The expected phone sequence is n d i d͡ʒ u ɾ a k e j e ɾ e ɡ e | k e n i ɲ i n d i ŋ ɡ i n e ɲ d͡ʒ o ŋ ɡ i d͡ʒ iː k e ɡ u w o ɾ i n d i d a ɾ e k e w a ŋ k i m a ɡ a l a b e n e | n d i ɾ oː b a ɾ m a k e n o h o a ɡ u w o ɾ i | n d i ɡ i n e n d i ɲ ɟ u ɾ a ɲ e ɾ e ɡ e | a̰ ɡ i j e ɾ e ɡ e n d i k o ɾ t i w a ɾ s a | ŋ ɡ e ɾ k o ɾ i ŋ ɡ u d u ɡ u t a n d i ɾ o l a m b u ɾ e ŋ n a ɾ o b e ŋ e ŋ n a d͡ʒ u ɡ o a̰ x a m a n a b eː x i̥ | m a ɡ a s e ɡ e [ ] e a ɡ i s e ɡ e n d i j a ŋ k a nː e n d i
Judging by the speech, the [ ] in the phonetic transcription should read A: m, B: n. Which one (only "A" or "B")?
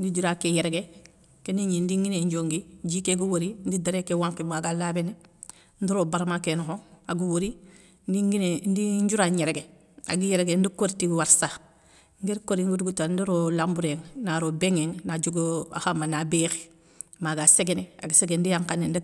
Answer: B